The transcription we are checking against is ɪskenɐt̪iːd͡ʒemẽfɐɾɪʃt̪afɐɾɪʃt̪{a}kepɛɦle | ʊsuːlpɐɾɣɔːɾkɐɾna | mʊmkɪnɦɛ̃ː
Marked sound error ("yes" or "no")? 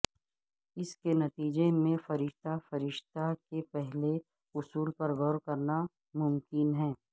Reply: no